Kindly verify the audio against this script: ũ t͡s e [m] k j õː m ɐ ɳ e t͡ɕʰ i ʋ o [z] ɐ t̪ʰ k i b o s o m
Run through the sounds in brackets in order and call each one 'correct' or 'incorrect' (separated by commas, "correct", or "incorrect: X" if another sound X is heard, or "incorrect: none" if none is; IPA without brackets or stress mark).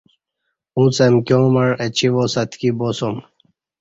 correct, incorrect: s